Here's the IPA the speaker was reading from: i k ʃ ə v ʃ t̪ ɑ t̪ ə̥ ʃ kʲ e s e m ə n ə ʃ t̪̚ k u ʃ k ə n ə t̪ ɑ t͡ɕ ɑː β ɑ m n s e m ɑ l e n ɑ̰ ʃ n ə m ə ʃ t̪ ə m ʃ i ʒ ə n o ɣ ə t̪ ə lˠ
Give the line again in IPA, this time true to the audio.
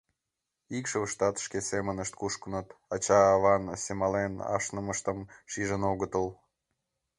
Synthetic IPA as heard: i k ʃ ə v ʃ t̪ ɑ t̪ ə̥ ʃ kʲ e s e m ə n ə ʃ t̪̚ k u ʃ k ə n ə t̪ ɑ t͡ɕ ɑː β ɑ n s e m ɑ l e n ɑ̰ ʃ n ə m ə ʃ t̪ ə m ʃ i ʒ ə n o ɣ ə t̪ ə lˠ